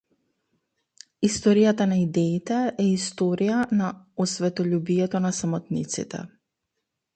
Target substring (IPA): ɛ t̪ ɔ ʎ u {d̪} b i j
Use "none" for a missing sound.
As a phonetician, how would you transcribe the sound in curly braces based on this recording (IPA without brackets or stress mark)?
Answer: none